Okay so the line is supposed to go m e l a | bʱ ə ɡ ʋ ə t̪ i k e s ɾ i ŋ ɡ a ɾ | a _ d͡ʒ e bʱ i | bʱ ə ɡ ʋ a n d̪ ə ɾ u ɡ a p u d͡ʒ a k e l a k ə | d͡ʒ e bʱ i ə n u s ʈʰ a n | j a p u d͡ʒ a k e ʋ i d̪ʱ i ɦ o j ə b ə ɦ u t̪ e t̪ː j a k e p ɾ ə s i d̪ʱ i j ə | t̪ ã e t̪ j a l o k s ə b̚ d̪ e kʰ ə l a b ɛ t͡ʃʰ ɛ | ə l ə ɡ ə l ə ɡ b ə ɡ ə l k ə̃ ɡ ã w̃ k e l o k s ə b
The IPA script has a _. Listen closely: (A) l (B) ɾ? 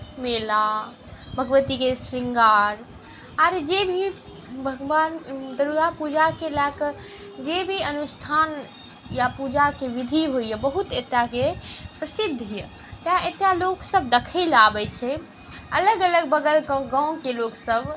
B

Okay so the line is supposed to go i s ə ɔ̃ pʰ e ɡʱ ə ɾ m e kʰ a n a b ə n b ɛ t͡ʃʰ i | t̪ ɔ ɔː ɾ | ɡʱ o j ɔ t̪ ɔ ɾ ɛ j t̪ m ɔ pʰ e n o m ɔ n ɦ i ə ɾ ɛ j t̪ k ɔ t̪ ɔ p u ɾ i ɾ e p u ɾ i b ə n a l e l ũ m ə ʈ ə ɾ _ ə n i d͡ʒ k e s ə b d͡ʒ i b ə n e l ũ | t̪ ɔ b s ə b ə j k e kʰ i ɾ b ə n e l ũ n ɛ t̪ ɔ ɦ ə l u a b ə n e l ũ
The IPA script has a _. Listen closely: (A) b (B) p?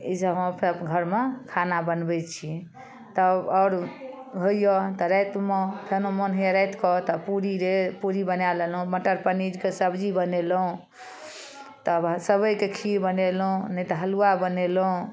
B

